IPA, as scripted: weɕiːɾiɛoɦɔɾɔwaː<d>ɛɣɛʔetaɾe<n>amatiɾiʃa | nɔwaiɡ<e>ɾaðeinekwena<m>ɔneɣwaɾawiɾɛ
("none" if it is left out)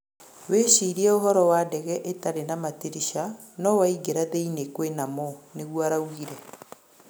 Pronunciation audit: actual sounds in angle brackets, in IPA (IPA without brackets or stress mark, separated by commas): d, n, e, m